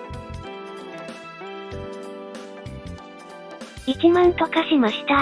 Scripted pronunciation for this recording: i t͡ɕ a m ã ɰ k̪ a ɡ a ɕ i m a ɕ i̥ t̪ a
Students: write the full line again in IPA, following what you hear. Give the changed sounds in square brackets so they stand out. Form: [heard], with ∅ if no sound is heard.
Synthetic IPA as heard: i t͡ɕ [i] m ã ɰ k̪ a [k] a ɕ i m a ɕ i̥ t̪ a